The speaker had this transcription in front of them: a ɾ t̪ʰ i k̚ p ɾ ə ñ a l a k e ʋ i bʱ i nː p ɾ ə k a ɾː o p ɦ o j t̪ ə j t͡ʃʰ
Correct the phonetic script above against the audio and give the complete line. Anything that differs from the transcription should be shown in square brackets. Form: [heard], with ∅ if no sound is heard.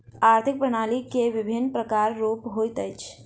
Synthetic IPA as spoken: a ɾ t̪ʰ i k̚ p ɾ ə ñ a l [i] k e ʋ i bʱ i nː p ɾ ə k a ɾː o p ɦ o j t̪ ə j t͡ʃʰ